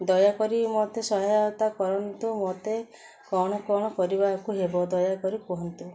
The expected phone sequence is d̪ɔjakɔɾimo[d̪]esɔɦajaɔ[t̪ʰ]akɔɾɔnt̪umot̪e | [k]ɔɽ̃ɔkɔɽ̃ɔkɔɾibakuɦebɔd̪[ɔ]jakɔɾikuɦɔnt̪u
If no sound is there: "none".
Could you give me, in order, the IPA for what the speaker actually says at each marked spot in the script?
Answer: t̪, t̪, k, ɔ

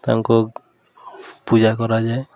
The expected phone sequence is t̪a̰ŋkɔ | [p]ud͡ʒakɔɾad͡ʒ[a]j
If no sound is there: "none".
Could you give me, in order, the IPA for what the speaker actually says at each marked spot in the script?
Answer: p, a

